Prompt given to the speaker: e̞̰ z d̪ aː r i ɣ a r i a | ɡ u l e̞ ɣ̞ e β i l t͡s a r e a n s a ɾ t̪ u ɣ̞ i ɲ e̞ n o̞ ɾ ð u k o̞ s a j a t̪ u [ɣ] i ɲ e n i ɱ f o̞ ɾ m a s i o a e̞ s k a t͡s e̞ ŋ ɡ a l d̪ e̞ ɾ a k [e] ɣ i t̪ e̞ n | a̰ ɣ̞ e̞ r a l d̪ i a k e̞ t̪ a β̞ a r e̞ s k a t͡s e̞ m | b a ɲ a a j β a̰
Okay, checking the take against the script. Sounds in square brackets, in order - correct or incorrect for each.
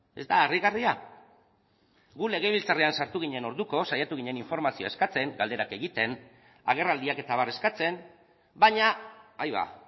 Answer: correct, correct

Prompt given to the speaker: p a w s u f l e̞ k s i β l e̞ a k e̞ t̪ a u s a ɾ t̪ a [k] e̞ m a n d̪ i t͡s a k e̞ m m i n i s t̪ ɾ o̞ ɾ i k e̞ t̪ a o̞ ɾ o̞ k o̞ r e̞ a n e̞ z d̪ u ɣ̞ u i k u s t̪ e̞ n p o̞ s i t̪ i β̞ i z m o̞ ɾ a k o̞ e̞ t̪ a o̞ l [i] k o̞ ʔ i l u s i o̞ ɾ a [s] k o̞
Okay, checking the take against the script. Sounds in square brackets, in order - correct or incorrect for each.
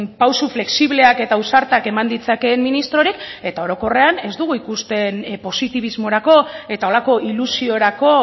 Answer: correct, incorrect: a, incorrect: none

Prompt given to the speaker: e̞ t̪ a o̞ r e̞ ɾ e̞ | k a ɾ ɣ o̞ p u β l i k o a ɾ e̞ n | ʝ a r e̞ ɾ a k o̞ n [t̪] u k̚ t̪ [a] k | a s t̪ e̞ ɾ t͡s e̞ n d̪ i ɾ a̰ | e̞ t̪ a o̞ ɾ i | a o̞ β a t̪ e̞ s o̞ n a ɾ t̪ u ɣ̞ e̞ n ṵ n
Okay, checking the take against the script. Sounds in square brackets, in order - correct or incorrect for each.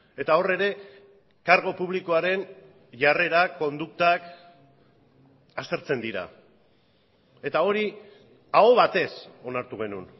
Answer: incorrect: d̪, correct

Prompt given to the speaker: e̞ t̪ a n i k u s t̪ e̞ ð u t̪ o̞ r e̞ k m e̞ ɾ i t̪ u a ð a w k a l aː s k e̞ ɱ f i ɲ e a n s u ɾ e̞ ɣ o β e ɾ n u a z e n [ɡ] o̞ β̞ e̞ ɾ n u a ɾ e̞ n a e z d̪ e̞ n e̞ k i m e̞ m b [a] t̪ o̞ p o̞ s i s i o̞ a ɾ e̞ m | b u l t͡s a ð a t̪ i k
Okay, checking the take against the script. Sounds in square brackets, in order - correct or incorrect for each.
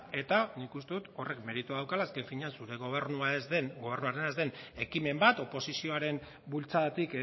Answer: correct, correct

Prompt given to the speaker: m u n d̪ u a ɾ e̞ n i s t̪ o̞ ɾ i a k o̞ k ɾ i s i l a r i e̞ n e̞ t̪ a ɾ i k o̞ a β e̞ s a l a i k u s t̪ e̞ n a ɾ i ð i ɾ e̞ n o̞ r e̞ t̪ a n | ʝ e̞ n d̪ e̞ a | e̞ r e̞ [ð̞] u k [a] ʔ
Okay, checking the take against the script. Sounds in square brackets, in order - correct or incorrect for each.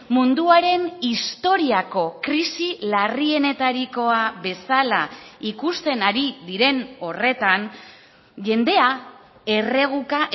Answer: incorrect: ɣ̞, correct

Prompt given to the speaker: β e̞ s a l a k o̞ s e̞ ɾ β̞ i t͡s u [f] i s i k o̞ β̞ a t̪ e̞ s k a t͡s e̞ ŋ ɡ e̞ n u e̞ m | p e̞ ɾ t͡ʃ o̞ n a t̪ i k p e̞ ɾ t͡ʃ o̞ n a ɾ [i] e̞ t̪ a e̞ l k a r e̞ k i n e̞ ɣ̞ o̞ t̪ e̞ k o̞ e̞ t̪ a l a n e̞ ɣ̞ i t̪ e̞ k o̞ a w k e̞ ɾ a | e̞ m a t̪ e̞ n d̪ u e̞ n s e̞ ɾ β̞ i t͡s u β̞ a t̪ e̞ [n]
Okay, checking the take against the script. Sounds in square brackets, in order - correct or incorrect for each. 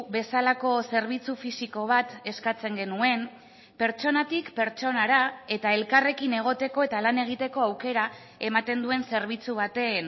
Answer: correct, incorrect: a, correct

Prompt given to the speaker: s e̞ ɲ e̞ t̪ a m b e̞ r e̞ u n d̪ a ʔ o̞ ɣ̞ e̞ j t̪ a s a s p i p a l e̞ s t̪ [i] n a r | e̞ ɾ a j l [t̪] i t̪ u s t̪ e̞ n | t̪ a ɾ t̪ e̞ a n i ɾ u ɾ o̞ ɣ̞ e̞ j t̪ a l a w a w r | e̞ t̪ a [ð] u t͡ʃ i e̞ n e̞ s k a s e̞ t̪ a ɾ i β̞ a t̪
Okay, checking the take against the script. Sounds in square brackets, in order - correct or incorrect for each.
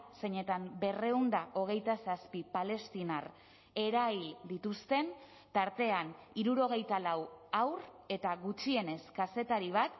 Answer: correct, incorrect: d̪, incorrect: ɣ

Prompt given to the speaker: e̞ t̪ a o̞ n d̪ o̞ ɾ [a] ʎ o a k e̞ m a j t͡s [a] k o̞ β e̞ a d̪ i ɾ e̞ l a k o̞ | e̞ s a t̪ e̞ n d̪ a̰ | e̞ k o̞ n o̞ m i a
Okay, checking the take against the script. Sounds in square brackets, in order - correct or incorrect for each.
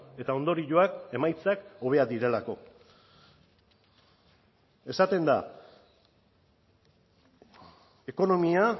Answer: incorrect: i, correct

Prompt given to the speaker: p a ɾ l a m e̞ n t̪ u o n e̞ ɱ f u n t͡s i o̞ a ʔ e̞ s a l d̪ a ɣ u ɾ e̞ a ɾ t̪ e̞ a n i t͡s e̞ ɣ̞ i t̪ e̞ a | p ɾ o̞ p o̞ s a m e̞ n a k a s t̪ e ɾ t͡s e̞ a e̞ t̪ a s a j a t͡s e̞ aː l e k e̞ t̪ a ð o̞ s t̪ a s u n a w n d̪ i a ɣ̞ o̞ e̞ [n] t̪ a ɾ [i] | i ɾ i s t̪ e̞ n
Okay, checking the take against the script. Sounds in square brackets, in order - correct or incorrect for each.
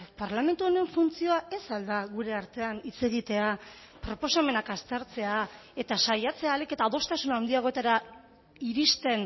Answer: incorrect: none, incorrect: a

